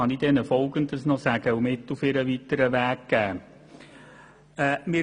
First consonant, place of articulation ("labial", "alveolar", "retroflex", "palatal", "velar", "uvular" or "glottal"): alveolar